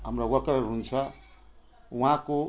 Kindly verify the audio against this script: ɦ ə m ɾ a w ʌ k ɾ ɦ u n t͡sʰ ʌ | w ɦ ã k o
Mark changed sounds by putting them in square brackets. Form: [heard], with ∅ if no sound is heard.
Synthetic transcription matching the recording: ɦ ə m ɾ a w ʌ k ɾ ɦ u n t͡sʰ ʌ | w ɦ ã k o